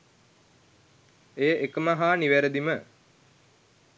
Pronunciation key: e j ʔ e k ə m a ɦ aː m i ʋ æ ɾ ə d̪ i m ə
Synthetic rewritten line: e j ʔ e k ə m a ɦ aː n i ʋ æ ɾ ə d̪ i m ə